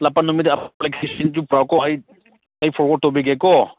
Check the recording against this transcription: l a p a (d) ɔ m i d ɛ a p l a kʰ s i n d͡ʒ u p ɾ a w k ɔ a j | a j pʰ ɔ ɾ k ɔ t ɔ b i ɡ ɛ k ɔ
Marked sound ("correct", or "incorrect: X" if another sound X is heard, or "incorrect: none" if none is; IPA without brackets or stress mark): incorrect: n